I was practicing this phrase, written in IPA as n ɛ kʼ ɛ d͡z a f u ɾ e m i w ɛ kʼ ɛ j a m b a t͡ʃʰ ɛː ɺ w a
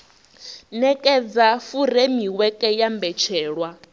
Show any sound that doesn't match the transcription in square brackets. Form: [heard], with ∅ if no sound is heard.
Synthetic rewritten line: n ɛ kʼ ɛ d͡z a f u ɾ e m i w ɛ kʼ ɛ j a m b [ɛ] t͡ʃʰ ɛː ɺ w a